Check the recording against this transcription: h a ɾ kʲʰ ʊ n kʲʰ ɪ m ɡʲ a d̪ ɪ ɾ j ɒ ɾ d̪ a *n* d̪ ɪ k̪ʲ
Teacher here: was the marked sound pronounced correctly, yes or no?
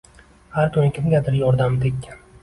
no